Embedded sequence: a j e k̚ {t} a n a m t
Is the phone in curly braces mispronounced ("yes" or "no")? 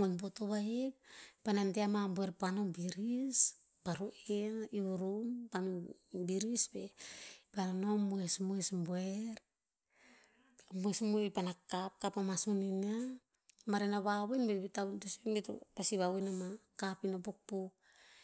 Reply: yes